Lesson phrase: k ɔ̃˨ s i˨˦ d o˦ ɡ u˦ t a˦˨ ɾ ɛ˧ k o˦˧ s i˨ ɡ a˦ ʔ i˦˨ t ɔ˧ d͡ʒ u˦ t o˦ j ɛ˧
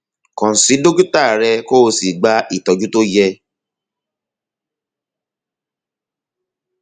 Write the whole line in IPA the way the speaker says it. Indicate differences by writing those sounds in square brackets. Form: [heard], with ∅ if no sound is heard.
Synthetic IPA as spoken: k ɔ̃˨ s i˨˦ d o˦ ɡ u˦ t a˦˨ ɾ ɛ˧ k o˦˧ s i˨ [ɡ͡b] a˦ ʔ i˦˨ t ɔ˧ d͡ʒ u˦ t o˦ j ɛ˧

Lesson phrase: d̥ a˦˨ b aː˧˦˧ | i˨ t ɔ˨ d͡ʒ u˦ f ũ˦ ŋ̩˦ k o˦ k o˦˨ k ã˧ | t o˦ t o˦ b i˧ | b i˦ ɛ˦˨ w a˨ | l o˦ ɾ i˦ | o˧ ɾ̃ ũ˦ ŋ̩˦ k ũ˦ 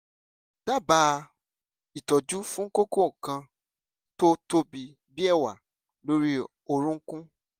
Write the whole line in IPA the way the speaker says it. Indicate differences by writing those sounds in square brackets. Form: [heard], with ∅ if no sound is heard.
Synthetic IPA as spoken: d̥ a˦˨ b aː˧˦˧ | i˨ t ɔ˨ d͡ʒ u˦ f ũ˦ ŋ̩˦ k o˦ k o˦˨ k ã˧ | t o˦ t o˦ b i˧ | b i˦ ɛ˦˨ w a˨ | l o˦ ɾ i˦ | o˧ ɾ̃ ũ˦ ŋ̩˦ k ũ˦

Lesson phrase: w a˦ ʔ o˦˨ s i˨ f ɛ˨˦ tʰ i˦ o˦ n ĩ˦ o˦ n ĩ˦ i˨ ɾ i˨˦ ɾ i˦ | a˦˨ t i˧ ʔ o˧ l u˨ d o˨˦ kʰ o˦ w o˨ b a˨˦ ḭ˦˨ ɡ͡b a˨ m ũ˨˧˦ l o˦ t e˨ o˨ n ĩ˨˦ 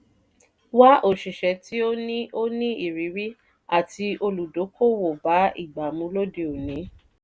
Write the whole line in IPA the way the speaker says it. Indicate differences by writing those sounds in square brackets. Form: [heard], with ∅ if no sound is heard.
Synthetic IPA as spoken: w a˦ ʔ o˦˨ [ʃ] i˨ [ʃ] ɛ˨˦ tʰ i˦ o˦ n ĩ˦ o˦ n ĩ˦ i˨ ɾ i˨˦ ɾ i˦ | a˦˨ t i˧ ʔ o˧ l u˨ d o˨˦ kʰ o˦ w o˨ b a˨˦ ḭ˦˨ ɡ͡b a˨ m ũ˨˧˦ l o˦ [d] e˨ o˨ n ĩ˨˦

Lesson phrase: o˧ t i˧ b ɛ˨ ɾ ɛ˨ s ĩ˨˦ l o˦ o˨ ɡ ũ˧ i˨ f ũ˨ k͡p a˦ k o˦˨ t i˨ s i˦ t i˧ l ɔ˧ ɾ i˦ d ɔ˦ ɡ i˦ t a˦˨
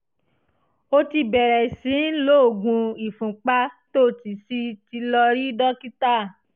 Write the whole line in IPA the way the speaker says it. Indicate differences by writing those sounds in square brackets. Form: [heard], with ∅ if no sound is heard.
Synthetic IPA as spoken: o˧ t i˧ b ɛ˨ ɾ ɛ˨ s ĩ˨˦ l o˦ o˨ ɡ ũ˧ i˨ f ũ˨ k͡p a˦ [t] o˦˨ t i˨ s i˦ t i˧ l ɔ˧ ɾ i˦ d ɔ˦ [k] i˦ t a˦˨

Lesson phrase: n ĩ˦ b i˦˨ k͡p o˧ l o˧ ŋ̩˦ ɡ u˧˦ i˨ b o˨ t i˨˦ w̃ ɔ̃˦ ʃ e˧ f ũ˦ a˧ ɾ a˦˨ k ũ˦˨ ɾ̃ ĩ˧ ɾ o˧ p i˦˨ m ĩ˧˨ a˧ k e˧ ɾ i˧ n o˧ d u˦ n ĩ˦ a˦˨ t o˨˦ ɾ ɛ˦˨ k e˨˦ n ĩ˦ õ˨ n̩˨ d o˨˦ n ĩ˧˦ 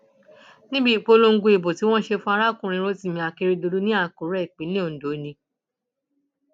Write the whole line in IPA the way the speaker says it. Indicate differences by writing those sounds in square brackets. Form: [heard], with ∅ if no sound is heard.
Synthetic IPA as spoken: n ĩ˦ b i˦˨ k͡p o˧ l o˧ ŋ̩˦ ɡ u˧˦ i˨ b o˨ t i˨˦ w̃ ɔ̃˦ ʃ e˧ f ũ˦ a˧ ɾ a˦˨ k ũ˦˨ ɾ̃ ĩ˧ ɾ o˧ [t] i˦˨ m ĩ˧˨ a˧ k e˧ ɾ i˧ [d] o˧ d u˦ n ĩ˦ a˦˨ [k] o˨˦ ɾ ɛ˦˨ [k͡p] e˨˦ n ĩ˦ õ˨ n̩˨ d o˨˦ n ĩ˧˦

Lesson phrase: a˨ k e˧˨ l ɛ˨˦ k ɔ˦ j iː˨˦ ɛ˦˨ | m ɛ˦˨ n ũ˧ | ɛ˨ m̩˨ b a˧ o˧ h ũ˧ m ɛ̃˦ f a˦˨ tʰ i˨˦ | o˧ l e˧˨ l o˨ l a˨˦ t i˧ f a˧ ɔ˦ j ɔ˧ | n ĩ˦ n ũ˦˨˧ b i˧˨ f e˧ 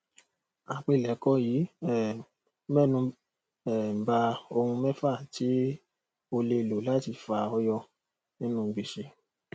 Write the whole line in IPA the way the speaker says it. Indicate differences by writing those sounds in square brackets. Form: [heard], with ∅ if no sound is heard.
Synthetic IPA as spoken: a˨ [k͡p] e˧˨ l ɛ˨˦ k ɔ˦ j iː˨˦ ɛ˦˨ | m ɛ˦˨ n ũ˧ | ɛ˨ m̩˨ b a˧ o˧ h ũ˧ m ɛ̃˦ f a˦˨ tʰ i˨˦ | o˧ l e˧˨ l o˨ l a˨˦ t i˧ f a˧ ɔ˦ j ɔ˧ | n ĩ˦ n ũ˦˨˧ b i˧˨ [ʃ] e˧

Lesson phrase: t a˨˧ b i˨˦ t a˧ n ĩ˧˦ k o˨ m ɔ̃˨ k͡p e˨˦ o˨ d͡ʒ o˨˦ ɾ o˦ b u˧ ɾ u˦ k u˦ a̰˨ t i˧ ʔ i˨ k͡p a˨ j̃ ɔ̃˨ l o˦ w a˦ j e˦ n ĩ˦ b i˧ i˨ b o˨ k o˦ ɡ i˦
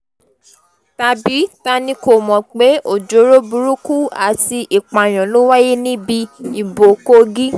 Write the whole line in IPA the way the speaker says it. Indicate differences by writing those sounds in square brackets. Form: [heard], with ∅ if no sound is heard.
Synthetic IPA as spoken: t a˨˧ b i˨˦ t a˧ n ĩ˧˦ k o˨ m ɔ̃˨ k͡p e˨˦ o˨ d͡ʒ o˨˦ ɾ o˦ b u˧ ɾ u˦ k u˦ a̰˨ t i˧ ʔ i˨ k͡p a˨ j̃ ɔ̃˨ l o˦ w a˦ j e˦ n ĩ˦ b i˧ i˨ b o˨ k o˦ ɡ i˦

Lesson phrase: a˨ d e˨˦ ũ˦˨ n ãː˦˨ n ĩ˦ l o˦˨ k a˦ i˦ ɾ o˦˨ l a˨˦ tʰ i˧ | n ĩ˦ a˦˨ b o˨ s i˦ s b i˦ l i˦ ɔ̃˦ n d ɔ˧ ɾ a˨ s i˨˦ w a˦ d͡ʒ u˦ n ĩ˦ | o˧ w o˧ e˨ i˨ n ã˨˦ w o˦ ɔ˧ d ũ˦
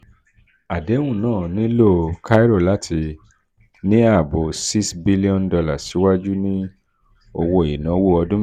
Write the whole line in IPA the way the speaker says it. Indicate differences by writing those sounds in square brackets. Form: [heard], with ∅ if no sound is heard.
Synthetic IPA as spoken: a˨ d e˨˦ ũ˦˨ n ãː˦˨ n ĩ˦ l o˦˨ k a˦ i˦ ɾ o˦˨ l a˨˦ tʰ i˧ | n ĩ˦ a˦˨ b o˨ s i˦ s b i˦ l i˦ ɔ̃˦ n d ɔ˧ [l] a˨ s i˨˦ w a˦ d͡ʒ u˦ n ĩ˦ | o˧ w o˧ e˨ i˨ n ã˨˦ w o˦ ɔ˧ d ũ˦

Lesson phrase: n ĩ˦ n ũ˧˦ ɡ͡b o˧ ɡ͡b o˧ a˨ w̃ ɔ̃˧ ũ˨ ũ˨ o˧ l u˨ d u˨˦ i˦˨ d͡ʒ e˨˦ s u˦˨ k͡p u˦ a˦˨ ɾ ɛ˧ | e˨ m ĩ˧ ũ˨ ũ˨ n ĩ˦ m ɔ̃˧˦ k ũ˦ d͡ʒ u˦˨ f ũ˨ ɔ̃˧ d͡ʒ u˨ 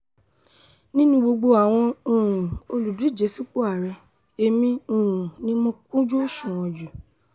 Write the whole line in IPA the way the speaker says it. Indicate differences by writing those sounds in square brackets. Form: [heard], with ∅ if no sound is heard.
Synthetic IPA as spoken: n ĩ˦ n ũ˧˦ ɡ͡b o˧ ɡ͡b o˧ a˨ w̃ ɔ̃˧ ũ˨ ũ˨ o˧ l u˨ d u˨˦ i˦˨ d͡ʒ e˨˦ s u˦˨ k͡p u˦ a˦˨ ɾ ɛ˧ | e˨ m ĩ˧ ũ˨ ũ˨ n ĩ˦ m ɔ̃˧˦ k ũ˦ d͡ʒ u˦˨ [ʃ] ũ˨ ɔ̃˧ d͡ʒ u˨

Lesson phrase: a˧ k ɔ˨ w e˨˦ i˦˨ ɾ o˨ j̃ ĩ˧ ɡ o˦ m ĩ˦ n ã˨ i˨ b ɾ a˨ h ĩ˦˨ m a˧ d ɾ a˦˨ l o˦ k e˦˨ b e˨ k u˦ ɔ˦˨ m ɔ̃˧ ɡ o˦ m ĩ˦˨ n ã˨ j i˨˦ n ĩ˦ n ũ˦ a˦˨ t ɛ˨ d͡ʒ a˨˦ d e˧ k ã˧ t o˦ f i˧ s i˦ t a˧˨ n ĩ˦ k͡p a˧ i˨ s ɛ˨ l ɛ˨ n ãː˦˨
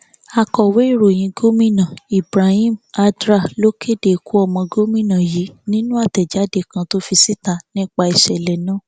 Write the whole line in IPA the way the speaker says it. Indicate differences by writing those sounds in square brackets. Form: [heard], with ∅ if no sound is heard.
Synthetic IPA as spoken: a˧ k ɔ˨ w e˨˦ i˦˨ ɾ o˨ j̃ ĩ˧ ɡ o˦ m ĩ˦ n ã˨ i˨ b ɾ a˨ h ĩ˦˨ m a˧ d ɾ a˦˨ l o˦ k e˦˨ [d] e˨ k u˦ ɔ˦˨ m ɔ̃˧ ɡ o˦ m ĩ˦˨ n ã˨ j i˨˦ n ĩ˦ n ũ˦ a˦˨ t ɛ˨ d͡ʒ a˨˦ d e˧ k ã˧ t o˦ f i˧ s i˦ t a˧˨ n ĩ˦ k͡p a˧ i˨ [ʃ] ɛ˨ l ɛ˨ n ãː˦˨

